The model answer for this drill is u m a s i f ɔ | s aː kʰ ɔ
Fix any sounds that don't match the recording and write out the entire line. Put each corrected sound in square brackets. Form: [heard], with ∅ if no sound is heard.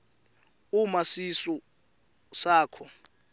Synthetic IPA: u m a s i [s] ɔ | s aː kʰ ɔ